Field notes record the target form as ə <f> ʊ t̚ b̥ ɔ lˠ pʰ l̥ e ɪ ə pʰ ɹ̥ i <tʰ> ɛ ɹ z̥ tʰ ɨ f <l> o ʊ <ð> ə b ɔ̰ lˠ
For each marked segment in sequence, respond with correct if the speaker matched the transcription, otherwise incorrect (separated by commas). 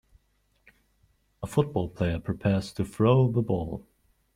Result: correct, incorrect, incorrect, correct